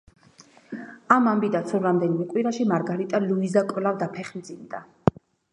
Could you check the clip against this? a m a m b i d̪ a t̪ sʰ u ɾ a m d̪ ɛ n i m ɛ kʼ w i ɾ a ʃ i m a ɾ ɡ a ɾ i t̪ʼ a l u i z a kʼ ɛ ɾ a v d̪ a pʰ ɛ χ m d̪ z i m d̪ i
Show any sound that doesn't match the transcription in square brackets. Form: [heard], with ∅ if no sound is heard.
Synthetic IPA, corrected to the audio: a m a m b i d̪ a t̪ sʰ u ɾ a m d̪ ɛ n i m ɛ kʼ w i ɾ a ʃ i m a ɾ ɡ a ɾ i t̪ʼ a l u i z a kʼ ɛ [l] a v d̪ a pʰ ɛ χ m d̪ z i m d̪ [a]